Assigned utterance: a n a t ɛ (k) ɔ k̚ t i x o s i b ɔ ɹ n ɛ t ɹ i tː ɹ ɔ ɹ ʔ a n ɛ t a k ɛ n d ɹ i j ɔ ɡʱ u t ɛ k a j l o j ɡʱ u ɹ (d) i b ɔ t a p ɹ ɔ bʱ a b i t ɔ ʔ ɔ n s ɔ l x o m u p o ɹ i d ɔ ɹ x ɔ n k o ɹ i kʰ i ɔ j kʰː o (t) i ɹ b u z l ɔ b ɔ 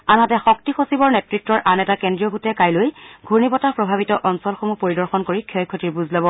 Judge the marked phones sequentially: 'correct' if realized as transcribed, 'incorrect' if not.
incorrect, incorrect, correct

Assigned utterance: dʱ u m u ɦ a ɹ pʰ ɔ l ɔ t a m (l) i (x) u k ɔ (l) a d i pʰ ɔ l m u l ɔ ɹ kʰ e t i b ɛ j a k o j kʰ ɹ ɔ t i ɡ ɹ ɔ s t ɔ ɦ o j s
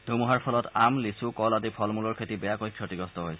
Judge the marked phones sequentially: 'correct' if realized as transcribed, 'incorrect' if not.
correct, incorrect, correct

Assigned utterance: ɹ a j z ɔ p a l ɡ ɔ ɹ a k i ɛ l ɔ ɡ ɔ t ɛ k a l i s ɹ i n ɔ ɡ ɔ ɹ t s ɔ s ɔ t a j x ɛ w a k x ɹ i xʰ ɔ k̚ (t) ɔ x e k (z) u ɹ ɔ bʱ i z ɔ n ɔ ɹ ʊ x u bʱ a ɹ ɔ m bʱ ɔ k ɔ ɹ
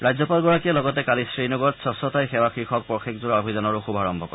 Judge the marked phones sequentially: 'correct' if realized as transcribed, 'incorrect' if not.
incorrect, correct

